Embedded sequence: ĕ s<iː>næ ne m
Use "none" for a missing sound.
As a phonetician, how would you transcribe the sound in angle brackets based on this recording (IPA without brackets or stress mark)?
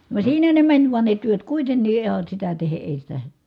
iː